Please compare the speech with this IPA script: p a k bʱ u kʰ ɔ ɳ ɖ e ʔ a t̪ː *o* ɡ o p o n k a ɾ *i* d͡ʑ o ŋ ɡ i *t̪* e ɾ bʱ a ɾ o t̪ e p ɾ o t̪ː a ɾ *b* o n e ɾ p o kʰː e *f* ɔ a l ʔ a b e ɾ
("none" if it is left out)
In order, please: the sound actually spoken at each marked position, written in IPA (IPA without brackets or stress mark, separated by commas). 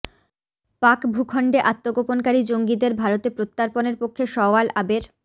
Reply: o, i, d̪, p, ʃ